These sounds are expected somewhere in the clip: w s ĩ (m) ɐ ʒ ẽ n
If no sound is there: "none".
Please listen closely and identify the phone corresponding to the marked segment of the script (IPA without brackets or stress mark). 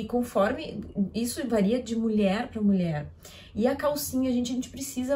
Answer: ɲ